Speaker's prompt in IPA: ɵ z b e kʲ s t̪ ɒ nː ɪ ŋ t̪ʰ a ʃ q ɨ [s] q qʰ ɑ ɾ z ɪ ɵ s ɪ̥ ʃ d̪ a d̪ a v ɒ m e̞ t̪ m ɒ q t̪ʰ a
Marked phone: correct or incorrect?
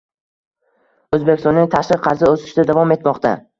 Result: incorrect